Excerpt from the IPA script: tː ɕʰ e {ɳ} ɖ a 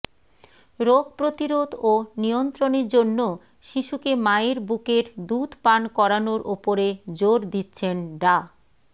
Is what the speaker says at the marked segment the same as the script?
no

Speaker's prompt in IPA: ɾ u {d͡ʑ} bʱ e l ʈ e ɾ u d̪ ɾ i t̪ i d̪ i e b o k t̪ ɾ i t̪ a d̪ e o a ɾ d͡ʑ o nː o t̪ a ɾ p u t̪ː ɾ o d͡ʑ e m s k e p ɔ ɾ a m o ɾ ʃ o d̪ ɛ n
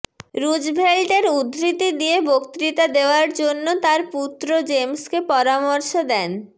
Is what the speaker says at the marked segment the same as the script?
yes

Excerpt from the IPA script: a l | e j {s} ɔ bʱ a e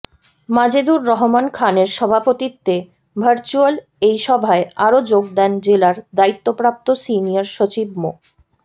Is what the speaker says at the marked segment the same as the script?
no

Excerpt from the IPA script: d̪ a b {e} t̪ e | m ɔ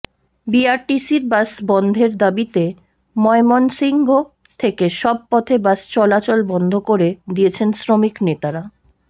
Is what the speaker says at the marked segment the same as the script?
no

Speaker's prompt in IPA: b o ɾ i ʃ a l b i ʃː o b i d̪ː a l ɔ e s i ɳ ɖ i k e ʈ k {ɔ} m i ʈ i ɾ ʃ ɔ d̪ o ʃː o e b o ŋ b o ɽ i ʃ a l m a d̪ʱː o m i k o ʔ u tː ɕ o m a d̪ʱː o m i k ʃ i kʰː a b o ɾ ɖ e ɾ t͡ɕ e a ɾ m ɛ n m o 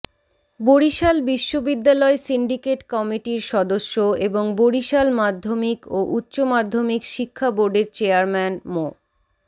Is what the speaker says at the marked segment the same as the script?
yes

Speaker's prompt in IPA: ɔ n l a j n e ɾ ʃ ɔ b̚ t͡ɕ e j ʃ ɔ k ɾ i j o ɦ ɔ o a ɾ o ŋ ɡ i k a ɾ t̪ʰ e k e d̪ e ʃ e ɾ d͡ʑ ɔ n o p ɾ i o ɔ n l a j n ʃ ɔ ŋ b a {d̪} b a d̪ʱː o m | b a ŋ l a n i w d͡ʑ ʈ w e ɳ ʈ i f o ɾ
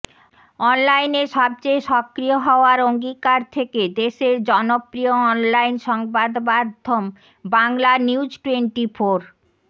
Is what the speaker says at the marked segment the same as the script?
yes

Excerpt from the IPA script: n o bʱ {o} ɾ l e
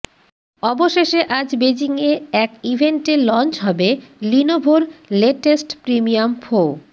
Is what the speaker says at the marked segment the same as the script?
yes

